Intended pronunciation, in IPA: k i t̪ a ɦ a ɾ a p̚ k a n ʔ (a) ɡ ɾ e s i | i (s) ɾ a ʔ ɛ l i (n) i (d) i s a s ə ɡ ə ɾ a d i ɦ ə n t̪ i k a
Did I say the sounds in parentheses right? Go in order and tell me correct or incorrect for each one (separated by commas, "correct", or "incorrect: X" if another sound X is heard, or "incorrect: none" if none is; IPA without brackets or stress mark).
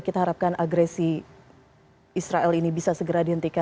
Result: correct, correct, correct, incorrect: b